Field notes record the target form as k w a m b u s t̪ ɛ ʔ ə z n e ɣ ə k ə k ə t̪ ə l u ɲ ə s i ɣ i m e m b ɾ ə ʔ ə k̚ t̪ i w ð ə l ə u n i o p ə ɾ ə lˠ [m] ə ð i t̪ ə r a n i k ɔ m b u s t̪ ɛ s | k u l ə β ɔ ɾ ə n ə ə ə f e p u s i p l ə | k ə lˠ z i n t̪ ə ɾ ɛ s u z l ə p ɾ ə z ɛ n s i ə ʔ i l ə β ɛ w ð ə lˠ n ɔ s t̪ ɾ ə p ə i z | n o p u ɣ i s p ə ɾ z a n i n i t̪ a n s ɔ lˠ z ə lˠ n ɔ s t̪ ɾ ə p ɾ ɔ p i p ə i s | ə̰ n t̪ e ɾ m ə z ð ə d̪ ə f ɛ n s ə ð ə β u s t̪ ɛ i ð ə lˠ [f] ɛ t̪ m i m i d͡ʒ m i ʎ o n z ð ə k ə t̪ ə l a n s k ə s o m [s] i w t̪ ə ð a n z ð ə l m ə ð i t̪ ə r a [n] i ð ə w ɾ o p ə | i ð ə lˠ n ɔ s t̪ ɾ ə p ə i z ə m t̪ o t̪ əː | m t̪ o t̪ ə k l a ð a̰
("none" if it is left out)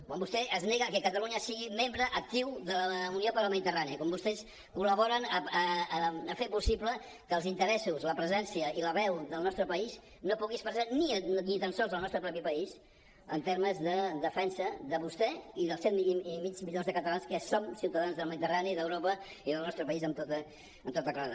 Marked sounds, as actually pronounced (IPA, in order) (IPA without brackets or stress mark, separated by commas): m, s, s, n